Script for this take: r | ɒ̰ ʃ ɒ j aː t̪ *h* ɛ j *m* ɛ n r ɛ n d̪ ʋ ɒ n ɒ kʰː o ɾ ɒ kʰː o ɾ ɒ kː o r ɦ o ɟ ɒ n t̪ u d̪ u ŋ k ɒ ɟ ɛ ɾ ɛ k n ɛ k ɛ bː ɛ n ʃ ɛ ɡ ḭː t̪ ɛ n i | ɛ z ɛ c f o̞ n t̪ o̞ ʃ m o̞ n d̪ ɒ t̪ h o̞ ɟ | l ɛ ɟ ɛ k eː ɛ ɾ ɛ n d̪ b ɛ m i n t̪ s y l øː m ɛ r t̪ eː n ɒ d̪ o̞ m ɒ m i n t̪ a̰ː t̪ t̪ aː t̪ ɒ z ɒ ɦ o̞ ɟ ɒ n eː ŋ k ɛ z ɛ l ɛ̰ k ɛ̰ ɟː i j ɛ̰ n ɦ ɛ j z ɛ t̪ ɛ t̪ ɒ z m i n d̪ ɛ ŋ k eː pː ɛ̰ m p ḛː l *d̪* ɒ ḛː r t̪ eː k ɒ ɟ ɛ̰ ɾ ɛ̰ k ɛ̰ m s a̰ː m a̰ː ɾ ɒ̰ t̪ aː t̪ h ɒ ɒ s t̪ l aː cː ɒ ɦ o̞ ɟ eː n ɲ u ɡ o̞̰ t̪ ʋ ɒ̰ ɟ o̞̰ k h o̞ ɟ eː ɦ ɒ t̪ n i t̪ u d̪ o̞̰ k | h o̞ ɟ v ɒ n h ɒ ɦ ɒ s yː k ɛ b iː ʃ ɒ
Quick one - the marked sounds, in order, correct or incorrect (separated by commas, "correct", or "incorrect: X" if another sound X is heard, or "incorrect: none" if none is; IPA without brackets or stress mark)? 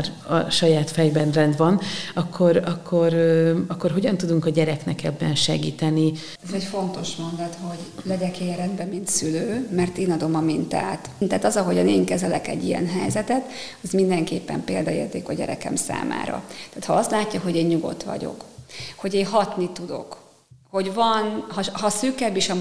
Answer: incorrect: f, incorrect: b, correct